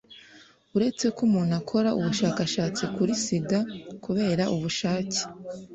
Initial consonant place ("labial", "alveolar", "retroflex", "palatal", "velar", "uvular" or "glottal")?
alveolar